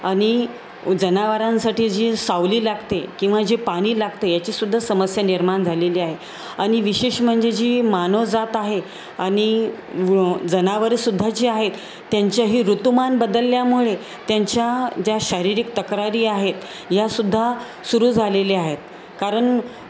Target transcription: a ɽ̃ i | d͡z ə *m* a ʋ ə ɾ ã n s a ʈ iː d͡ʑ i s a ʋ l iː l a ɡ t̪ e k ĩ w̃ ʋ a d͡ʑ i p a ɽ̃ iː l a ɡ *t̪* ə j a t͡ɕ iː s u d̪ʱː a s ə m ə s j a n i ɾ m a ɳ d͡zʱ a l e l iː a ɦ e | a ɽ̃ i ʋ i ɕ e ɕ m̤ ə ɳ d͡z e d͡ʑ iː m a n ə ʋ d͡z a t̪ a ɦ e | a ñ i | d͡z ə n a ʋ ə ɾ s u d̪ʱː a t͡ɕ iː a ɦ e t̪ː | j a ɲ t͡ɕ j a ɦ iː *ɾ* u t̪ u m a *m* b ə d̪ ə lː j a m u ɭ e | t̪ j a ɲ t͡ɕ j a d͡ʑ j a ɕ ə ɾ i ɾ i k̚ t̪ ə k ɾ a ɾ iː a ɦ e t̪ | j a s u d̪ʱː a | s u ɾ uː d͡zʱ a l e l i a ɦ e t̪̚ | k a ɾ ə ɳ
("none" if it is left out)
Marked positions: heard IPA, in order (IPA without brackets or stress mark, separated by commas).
n, t̪, ɾ, n